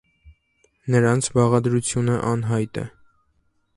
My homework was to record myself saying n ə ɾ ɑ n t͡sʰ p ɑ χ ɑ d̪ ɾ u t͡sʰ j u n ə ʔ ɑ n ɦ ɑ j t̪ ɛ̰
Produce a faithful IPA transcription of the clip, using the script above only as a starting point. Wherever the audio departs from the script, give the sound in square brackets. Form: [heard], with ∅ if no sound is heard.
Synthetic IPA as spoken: n ə ɾ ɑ n t͡sʰ [b] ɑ [ʁ] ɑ d̪ ɾ u t͡sʰ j u n ə ʔ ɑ n ɦ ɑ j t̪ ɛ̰